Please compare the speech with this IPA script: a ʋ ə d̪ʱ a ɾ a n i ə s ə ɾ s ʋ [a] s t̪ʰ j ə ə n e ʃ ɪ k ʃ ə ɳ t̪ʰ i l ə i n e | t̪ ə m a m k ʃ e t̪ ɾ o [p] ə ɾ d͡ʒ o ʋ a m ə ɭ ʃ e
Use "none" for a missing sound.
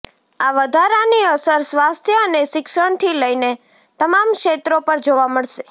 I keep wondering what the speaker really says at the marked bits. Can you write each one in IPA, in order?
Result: a, p

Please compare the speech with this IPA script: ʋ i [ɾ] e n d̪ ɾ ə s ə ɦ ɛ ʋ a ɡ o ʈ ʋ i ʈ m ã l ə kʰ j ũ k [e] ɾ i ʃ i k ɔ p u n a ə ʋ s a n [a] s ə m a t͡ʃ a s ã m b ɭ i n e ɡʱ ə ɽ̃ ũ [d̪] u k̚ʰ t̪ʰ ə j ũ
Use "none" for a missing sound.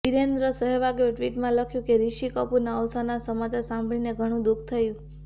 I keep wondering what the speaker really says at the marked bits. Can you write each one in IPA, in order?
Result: ɾ, e, a, d̪

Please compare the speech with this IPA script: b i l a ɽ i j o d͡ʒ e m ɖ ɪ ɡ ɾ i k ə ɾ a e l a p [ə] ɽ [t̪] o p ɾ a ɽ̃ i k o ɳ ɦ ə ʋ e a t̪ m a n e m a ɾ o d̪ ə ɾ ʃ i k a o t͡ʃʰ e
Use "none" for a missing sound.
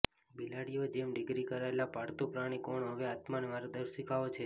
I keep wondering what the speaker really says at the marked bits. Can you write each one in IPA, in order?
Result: a, t̪

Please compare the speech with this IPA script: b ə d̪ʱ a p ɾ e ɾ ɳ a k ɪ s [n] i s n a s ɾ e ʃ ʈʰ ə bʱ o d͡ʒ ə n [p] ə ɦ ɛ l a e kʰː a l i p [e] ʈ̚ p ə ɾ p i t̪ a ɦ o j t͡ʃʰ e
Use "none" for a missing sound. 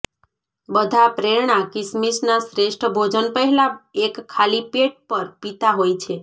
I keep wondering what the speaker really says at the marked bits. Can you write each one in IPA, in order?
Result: m, p, e

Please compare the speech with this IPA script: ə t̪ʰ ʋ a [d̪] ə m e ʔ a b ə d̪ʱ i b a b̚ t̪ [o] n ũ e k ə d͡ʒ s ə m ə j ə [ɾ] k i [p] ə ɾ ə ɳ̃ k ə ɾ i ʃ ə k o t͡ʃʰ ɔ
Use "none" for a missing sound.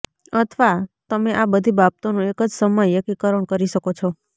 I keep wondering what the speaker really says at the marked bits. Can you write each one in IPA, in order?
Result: t̪, o, none, k

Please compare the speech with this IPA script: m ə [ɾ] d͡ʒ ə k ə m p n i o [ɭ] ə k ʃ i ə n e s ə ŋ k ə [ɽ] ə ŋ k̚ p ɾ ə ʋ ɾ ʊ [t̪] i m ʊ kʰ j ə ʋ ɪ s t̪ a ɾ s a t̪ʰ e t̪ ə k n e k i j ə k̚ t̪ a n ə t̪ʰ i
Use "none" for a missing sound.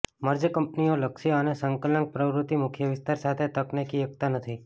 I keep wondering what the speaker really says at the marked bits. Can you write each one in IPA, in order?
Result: ɾ, l, l, t̪

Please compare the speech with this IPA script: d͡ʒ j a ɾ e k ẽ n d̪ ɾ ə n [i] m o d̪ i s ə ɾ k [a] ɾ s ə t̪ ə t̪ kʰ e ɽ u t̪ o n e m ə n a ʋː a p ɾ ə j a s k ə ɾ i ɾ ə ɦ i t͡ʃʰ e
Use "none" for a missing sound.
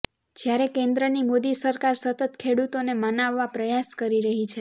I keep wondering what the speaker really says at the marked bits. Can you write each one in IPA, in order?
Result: i, a

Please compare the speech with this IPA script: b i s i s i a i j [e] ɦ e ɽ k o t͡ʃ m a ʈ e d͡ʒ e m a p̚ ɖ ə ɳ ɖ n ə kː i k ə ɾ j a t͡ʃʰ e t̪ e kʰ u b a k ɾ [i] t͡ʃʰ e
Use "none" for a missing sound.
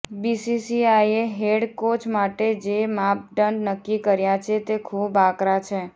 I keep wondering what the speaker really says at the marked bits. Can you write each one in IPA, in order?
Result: e, a

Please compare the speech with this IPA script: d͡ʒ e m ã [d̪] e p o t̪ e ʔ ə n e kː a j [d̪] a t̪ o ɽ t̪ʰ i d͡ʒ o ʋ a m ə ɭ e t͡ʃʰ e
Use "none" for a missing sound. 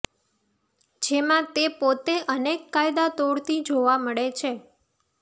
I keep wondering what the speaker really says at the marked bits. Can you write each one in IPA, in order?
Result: t̪, d̪

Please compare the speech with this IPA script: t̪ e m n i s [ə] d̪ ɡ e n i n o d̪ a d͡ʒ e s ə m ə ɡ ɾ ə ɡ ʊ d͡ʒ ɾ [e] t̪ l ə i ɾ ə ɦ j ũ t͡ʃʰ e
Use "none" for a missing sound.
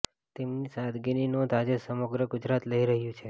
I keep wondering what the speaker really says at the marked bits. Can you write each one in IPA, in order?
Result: a, a

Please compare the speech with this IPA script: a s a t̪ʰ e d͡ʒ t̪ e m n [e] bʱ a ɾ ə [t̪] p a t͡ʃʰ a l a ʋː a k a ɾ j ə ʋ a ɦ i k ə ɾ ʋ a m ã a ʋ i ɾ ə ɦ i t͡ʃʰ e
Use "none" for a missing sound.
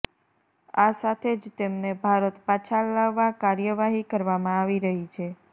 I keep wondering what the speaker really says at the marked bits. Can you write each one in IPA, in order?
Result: e, t̪

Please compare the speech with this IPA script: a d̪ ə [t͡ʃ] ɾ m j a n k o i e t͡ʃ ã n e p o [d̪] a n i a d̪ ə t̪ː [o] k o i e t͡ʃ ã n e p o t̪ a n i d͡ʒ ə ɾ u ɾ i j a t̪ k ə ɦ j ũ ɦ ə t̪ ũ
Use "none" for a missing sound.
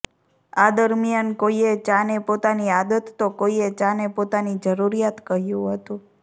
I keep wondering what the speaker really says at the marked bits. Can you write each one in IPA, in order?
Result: none, t̪, o

